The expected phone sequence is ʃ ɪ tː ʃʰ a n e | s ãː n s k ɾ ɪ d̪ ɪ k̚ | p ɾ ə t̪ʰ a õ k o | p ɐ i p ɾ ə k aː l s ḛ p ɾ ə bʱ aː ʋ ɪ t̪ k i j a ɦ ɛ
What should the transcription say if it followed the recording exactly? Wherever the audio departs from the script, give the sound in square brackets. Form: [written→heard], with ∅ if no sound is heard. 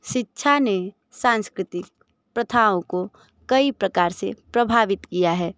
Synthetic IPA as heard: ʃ ɪ tː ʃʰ a n e | s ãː n s k ɾ ɪ [d̪→t̪] ɪ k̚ | p ɾ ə t̪ʰ a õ k o | [p→k] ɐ i p ɾ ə k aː [l→ɾ] s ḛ p ɾ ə bʱ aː ʋ ɪ t̪ k i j a ɦ [ɛ→ɛː]